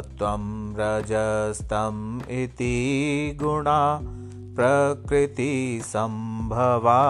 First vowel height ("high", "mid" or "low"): low